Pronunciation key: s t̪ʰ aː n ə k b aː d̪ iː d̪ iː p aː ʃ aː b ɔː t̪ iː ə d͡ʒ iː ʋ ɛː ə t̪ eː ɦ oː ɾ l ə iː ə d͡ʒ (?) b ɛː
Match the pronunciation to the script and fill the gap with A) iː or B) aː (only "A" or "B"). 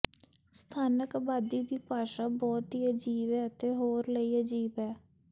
A